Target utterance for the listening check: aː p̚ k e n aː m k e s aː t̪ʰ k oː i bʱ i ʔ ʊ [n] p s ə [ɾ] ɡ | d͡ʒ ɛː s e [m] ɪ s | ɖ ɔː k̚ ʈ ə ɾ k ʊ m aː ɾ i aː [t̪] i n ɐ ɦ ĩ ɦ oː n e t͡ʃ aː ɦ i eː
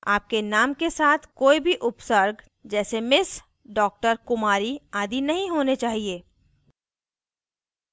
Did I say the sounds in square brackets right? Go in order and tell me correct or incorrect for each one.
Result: incorrect: none, correct, correct, incorrect: d̪

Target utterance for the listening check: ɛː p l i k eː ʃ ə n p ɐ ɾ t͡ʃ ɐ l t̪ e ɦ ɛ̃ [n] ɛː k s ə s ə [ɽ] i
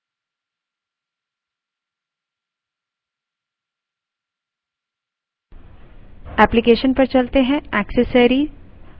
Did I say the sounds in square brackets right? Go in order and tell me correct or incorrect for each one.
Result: incorrect: none, incorrect: ɾ

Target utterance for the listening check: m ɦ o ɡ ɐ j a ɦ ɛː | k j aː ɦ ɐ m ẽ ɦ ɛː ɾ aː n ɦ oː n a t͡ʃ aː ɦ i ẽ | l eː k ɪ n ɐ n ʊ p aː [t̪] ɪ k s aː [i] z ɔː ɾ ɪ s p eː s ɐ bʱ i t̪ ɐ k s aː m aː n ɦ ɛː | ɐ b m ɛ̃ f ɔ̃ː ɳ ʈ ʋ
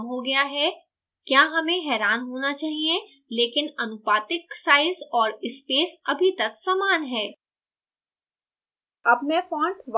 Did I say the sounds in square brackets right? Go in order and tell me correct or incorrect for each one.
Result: correct, incorrect: ɪ

